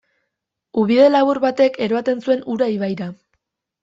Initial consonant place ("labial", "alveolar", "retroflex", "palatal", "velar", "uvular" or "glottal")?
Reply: labial